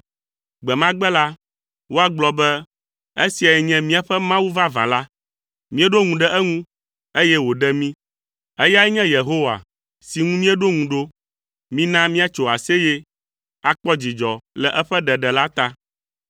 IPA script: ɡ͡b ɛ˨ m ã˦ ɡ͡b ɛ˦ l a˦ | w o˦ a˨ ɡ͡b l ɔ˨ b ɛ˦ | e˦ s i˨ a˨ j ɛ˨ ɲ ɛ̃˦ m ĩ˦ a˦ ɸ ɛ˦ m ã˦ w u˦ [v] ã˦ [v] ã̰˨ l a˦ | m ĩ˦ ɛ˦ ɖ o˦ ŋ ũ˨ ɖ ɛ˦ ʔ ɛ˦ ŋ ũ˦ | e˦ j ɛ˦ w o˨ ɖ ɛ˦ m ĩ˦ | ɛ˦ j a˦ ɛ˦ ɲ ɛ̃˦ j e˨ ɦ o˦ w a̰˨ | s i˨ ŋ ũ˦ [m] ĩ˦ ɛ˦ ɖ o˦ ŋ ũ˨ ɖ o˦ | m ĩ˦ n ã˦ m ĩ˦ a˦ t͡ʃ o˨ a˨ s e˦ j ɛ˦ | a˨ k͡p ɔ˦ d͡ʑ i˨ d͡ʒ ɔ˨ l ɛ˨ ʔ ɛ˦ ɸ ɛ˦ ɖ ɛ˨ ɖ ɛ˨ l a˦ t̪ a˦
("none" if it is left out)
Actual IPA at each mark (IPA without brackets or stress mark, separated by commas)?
v, v, m